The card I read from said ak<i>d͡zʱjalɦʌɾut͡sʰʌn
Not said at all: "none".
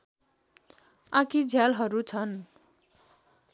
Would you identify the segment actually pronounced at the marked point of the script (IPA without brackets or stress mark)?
i